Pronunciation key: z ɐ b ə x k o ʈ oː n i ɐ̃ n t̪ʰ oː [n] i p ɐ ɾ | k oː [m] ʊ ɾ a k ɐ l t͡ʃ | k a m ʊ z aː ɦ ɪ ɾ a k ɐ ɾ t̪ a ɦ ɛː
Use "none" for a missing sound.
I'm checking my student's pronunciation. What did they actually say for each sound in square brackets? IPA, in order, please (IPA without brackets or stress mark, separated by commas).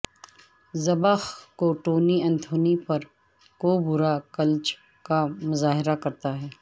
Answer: n, b